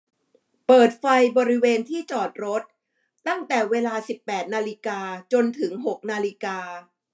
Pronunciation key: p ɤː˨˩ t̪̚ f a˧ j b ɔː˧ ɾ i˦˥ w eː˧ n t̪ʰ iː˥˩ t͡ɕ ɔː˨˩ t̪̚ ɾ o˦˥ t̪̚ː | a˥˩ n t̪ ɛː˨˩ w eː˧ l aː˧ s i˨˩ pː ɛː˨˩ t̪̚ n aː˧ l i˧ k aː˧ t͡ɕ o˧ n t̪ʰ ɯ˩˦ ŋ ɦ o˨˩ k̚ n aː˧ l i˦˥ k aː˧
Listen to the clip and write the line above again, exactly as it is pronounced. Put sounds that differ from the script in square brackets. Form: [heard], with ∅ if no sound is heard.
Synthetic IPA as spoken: p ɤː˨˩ t̪̚ f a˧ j b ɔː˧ ɾ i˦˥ w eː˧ n t̪ʰ iː˥˩ t͡ɕ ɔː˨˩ t̪̚ ɾ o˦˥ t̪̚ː | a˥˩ [ŋ] t̪ ɛː˨˩ w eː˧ l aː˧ s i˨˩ pː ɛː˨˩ t̪̚ n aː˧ l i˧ k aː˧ t͡ɕ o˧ n t̪ʰ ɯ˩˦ ŋ ɦ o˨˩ k̚ n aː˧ l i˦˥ k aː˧